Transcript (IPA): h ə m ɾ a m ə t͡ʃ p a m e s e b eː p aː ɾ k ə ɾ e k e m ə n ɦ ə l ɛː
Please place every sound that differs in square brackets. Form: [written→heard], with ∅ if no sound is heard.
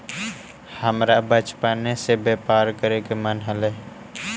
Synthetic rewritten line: h ə m ɾ a [m→b] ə t͡ʃ p a [m→n] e s e b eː p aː ɾ k ə ɾ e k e m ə n ɦ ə l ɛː